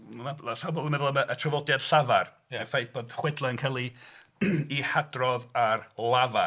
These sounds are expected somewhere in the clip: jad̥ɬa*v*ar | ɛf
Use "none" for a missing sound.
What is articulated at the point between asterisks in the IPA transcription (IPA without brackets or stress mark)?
v